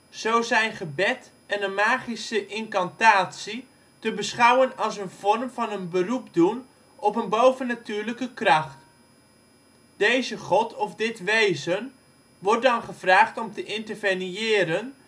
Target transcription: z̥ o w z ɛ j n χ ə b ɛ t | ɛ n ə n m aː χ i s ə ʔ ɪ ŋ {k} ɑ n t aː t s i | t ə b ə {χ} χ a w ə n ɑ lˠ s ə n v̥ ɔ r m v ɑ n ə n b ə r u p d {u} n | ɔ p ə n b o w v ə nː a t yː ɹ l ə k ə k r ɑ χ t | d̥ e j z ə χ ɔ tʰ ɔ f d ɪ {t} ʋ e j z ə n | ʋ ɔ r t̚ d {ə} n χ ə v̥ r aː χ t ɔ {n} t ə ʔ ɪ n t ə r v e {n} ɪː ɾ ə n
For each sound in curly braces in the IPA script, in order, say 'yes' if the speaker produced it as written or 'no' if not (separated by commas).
yes, no, yes, yes, no, no, yes